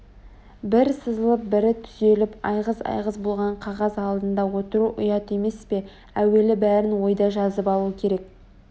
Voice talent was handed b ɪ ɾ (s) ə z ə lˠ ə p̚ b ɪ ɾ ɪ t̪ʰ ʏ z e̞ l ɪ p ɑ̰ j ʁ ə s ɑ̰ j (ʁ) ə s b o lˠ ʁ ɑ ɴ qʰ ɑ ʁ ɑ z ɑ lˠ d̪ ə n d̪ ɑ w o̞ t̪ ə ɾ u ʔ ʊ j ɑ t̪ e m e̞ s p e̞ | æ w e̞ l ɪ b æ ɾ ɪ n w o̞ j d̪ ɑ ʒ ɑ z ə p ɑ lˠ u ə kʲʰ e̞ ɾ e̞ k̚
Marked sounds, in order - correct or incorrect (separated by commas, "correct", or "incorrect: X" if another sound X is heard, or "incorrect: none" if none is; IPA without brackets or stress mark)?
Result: correct, correct